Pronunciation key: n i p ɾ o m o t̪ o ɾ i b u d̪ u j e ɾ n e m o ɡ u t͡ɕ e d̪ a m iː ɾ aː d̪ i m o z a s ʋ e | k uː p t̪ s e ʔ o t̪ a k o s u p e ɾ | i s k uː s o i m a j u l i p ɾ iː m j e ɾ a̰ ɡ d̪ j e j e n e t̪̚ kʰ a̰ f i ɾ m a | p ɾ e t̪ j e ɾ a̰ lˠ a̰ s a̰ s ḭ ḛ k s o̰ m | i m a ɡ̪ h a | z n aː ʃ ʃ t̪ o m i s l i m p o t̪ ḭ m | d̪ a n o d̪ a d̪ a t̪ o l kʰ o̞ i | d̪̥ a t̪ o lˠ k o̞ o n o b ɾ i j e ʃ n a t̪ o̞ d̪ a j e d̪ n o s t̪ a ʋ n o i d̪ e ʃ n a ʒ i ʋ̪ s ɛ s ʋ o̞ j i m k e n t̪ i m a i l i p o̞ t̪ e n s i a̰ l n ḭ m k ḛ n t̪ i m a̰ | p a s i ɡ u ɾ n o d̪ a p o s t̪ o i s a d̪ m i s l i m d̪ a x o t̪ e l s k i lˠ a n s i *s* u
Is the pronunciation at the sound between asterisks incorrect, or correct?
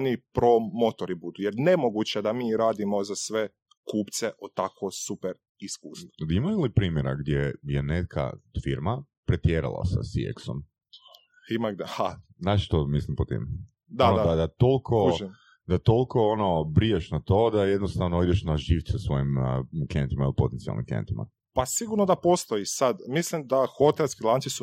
correct